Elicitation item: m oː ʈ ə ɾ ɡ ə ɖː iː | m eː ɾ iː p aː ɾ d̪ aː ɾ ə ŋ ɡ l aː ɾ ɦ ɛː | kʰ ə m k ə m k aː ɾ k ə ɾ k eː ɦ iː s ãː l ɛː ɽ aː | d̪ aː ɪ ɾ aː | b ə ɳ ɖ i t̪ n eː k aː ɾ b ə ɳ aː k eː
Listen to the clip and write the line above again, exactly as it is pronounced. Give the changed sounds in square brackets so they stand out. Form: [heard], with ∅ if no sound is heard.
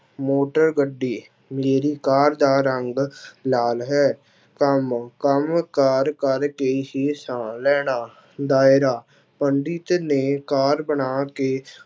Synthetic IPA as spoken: m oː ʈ ə ɾ ɡ ə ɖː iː | m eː ɾ iː [k] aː ɾ d̪ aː ɾ ə ŋ ɡ l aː [l] ɦ ɛː | [k] ə m k ə m k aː ɾ k ə ɾ k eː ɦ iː s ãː l ɛː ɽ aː | d̪ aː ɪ ɾ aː | [p] ə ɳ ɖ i t̪ n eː k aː ɾ b ə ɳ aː k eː